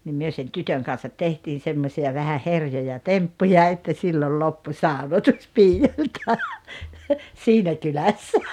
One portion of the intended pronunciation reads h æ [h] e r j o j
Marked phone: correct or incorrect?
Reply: correct